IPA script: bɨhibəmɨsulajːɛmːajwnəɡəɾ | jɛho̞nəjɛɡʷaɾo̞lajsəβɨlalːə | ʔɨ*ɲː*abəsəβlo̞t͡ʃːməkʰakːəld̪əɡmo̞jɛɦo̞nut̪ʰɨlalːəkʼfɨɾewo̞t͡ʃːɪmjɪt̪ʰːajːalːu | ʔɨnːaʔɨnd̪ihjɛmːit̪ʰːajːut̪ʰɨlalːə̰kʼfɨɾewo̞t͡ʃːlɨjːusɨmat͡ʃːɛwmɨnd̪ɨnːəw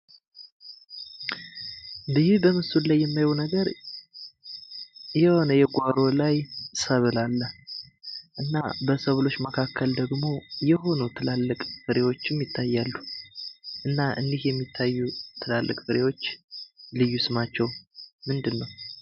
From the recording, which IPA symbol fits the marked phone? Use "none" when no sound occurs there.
nː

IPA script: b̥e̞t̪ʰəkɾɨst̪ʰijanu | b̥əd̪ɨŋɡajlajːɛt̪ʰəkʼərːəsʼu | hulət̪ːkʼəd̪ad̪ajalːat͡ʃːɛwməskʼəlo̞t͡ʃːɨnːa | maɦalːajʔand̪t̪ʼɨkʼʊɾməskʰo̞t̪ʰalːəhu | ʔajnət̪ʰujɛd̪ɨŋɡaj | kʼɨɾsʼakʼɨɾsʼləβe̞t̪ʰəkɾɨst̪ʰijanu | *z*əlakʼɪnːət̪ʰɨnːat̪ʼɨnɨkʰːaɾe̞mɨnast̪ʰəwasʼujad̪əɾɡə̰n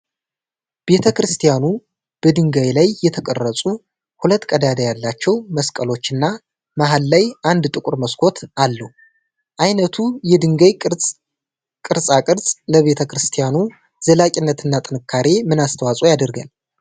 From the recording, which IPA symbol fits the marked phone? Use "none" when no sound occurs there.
z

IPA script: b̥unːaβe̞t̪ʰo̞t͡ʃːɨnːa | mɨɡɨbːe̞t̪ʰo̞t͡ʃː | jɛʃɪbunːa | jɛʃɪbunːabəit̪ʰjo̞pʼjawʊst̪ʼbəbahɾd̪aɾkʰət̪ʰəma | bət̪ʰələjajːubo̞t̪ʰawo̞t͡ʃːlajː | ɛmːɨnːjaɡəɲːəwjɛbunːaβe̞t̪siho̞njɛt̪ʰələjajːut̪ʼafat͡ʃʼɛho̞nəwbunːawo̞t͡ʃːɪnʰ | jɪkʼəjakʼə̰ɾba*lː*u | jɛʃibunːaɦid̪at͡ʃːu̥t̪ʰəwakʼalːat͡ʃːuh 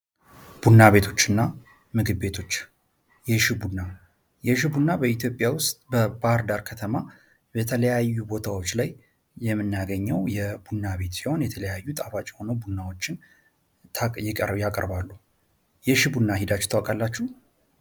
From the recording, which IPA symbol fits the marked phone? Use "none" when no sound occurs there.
lː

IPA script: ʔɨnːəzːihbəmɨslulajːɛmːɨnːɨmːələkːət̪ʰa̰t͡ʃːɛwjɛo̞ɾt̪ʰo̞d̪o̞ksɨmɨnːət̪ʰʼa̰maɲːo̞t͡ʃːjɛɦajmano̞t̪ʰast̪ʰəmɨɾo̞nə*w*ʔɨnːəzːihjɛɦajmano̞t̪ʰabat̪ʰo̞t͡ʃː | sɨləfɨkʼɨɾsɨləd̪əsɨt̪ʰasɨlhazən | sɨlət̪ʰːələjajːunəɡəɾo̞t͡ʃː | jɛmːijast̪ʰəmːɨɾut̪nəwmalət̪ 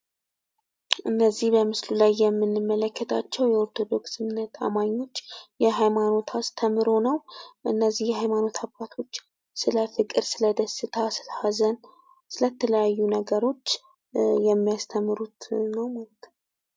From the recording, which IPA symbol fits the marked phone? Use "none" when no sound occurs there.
w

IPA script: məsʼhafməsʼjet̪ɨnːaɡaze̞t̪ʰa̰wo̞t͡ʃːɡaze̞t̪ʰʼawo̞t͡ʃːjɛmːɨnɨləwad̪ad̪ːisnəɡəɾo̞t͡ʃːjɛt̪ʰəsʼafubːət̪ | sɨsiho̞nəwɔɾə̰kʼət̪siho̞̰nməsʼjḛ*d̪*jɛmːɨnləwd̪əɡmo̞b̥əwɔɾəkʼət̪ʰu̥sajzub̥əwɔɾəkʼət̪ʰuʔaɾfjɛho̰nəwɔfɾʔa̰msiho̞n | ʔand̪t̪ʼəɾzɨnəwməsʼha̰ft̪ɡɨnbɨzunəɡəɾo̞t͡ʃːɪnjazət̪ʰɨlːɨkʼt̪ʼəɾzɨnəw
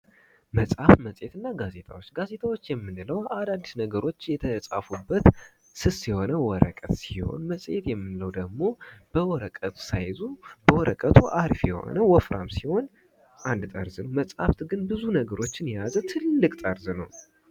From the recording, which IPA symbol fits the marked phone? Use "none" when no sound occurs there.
t̪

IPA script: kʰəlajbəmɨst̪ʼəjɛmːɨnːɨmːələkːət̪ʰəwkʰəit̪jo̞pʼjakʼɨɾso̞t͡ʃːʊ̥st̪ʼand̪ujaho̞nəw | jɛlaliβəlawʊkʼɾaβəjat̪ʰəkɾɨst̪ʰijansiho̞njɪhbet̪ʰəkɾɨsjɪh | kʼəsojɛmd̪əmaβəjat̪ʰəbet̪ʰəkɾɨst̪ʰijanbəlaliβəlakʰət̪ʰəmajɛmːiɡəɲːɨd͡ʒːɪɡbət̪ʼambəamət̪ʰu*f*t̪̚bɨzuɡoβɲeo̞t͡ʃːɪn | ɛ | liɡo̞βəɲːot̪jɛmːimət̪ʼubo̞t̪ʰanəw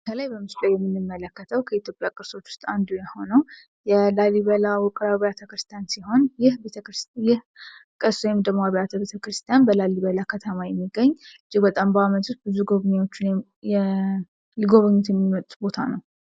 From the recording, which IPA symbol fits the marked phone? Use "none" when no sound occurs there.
s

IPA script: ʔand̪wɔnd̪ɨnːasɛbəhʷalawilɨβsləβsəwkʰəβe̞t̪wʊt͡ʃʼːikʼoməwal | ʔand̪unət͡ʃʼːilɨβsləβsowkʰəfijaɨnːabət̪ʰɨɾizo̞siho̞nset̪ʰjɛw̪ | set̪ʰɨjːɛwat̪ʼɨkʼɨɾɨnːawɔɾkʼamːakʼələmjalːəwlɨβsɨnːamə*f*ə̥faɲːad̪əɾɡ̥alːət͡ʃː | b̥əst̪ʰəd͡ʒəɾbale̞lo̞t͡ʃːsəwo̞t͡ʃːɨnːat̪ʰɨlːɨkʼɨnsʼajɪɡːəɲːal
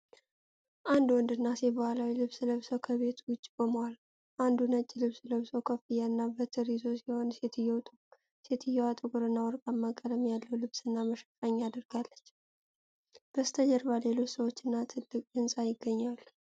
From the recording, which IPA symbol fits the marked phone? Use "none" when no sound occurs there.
ʃ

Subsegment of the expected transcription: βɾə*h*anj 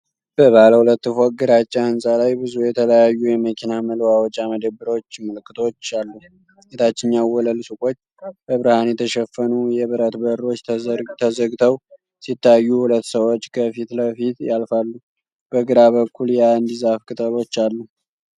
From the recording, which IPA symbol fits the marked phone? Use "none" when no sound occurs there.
h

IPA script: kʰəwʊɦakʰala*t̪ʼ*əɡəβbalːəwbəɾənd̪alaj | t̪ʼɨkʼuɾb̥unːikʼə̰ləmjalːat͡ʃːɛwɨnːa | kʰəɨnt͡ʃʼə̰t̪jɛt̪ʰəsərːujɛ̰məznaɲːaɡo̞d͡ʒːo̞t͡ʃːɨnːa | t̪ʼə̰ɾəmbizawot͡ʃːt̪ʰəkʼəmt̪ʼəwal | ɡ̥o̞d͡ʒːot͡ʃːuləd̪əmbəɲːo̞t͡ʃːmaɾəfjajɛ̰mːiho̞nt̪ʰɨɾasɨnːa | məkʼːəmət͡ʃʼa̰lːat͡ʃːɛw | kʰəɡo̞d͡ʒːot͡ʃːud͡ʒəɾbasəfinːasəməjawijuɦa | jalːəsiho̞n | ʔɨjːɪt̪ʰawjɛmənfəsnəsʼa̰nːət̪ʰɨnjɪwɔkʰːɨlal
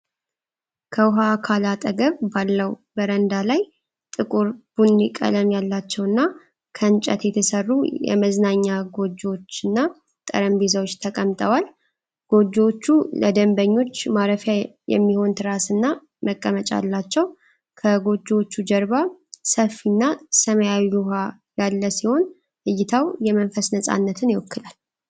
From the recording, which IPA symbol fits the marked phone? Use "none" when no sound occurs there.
t̪ʼ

